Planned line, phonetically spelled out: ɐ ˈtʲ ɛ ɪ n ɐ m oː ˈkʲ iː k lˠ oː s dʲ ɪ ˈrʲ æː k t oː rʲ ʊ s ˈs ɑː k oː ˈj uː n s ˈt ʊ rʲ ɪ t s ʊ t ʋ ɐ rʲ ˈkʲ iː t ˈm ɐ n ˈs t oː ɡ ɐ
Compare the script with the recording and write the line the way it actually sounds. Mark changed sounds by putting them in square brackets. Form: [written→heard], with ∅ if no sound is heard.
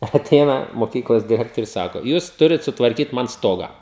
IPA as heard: ɐ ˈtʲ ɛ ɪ n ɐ m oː ˈkʲ iː k lˠ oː s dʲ ɪ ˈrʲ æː k t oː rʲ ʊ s ˈs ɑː k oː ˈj uː [n→∅] s ˈt ʊ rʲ ɪ t s ʊ t ʋ ɐ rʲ ˈkʲ iː t ˈm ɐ n ˈs t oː ɡ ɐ